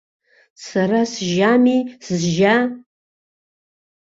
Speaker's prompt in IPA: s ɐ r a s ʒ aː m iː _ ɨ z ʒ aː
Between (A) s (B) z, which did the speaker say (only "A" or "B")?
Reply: A